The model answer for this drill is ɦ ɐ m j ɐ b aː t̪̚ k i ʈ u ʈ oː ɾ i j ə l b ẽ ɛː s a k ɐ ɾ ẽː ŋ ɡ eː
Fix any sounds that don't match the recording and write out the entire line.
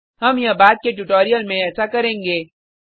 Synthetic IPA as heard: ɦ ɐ m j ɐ b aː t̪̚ k e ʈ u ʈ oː ɾ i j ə l m ẽ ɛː s a k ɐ ɾ ẽː ŋ ɡ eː